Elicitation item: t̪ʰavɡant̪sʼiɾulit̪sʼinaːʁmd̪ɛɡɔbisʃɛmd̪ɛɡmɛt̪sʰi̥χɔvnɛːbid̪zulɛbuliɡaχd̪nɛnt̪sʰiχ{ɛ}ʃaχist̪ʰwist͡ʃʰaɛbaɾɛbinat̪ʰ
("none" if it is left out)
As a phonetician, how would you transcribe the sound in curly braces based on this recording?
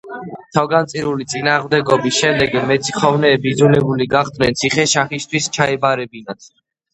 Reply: ɛ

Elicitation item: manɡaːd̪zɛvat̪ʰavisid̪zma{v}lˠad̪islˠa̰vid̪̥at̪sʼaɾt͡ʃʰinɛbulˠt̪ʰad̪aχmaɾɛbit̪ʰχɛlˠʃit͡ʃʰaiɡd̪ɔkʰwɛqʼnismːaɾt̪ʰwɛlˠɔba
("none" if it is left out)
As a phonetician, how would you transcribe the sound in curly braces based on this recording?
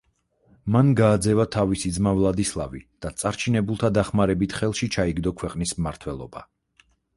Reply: v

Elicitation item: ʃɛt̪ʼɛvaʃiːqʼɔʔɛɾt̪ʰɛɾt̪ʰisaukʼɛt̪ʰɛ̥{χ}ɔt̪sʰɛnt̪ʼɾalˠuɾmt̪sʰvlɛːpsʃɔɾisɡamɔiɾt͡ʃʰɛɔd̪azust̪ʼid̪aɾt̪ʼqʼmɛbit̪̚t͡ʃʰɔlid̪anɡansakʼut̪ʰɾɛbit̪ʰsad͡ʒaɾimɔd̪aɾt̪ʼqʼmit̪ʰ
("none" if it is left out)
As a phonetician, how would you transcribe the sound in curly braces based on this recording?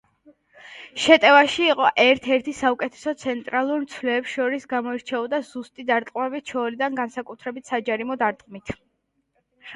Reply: s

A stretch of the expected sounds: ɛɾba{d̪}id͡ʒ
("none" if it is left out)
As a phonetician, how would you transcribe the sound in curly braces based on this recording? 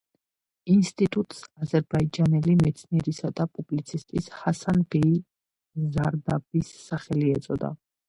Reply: none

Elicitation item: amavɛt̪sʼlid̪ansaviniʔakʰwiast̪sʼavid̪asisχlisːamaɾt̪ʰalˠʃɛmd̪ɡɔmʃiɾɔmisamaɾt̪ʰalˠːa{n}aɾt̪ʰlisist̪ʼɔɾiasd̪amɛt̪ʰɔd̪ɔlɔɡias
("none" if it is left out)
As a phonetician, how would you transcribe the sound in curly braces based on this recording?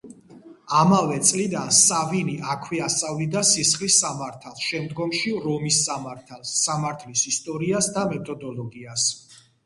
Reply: m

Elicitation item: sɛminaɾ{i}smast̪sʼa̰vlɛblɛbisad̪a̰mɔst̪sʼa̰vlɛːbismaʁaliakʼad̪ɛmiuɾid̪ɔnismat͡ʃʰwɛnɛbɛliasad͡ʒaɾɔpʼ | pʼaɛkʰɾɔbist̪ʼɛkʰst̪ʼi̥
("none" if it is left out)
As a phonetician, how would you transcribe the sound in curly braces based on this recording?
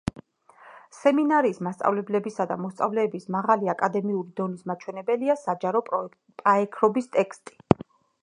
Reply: iː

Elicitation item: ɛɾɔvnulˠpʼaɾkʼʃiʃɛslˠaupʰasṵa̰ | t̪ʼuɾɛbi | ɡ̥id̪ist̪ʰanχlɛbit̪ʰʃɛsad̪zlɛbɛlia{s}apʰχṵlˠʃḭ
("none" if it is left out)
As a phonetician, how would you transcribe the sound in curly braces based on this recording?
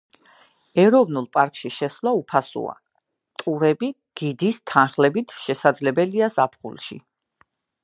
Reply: z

